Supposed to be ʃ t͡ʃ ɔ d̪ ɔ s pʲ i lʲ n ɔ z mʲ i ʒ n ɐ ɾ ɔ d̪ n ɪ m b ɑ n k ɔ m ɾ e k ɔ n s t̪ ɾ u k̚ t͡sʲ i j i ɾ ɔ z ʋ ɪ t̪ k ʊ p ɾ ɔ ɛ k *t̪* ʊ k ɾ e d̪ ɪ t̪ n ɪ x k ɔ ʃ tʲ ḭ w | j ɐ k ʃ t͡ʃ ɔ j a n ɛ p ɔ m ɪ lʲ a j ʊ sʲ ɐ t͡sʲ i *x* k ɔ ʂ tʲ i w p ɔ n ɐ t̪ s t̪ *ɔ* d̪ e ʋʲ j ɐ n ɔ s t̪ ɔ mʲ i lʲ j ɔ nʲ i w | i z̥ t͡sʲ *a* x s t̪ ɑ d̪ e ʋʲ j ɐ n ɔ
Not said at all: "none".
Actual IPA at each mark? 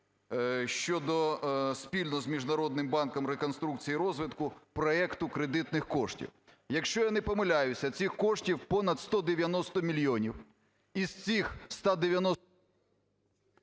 t̪, x, ɔ, i

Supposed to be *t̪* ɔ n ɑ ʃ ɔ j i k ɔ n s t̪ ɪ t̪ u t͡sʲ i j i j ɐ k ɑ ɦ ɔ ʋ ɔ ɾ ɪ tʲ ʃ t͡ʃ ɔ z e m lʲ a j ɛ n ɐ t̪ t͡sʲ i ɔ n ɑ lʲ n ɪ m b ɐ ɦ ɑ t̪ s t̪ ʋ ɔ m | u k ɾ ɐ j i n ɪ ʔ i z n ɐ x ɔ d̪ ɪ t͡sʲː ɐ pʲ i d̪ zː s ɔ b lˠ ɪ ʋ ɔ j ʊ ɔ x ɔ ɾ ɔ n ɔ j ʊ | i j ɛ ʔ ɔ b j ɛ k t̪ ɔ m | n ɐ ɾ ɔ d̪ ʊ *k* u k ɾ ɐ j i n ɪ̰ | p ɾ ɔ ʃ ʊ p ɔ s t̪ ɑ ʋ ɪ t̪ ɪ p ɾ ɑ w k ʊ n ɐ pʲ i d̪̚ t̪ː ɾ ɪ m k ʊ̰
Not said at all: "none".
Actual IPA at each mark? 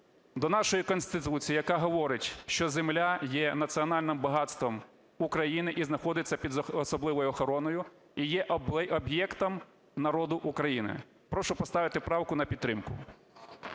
d̪, ʔ

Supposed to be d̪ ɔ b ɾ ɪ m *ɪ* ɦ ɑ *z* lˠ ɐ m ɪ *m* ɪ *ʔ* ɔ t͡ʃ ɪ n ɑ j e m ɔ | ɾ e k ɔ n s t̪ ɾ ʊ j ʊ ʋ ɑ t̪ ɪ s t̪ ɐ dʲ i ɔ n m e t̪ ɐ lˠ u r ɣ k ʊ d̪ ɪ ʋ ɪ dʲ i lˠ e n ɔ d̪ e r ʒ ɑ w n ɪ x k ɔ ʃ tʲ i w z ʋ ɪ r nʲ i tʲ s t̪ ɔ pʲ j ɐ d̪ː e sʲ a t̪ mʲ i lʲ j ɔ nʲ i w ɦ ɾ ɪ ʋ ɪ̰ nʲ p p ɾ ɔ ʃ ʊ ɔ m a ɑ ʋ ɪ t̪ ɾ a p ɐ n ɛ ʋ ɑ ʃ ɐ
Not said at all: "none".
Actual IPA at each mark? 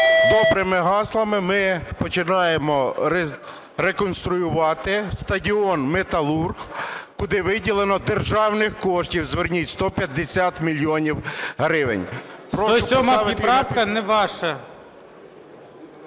ɪ, s, m, p

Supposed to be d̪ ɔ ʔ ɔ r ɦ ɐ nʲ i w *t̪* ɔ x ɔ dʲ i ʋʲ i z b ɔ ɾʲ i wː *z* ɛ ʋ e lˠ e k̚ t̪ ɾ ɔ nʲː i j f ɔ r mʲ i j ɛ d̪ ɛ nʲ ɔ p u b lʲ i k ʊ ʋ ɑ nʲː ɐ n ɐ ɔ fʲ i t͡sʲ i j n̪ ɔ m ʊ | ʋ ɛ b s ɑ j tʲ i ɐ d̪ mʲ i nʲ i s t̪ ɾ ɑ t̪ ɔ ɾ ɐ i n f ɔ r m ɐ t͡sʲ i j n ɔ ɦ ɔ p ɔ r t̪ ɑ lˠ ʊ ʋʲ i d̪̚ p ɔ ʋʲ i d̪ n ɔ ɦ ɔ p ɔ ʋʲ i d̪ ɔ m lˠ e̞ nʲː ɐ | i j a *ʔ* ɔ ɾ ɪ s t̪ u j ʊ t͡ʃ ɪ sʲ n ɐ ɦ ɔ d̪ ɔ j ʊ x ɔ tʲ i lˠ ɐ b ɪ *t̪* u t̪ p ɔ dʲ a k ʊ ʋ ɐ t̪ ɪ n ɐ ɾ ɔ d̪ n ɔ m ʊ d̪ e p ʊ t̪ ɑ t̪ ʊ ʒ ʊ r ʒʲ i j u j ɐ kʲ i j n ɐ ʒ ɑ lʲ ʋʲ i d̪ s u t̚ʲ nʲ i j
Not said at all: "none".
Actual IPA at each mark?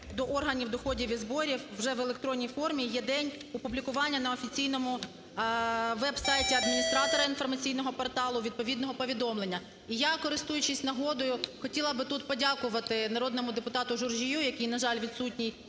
d̪, ʒ, k, t̪

